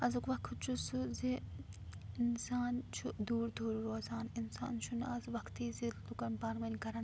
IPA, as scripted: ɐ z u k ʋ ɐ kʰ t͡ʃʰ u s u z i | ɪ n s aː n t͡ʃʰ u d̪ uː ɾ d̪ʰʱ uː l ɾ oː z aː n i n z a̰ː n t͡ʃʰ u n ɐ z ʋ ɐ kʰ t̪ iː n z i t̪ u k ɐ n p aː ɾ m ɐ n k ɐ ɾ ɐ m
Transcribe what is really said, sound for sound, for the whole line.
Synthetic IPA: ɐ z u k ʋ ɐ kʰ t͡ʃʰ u s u z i | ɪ n s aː n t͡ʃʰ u d̪ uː ɾ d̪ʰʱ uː ɾ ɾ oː z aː n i n s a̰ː n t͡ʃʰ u n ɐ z ʋ ɐ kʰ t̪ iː z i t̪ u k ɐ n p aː ɾ m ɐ n k ɐ ɾ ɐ n